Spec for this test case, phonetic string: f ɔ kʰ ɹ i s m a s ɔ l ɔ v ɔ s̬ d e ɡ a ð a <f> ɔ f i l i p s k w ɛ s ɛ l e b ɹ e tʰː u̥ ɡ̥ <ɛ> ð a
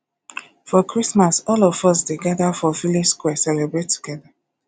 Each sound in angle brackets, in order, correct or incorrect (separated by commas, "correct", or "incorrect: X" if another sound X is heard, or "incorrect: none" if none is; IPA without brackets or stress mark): correct, correct